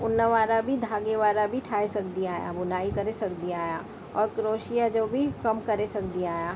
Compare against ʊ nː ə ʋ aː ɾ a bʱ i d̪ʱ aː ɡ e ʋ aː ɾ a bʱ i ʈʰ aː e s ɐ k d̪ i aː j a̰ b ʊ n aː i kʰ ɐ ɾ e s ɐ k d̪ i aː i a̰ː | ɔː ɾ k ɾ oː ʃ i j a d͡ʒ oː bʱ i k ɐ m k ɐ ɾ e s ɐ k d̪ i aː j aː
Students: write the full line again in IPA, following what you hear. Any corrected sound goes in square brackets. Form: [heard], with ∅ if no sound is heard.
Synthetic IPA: ʊ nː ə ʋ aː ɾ a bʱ i d̪ʱ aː ɡ e ʋ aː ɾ a bʱ i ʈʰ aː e s ɐ k d̪ i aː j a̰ b ʊ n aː i [k] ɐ ɾ e s ɐ k d̪ i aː [j] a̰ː | ɔː ɾ k ɾ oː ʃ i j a d͡ʒ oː bʱ i k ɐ m k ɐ ɾ e s ɐ k d̪ i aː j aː